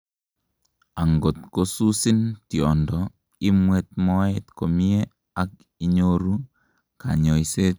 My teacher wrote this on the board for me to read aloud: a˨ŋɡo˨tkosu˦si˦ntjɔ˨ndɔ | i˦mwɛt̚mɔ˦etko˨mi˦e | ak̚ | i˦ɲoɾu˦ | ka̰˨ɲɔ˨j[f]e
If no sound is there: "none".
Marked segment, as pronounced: s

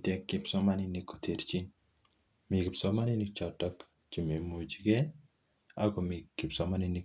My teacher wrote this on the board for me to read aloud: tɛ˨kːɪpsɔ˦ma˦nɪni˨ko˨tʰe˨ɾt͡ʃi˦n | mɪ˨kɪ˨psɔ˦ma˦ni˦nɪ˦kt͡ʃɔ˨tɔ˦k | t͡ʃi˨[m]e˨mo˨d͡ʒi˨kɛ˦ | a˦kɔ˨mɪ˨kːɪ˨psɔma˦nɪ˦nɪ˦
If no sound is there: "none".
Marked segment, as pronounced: m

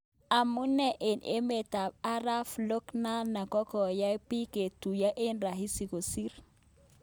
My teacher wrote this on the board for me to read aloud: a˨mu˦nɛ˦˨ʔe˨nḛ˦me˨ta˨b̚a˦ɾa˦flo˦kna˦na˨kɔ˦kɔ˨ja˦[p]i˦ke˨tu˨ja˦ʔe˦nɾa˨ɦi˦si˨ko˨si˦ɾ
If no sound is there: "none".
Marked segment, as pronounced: p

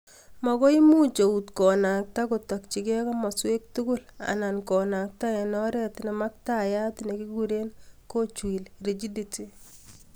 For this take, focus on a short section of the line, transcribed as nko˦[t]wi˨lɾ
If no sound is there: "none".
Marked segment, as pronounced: t͡ʃ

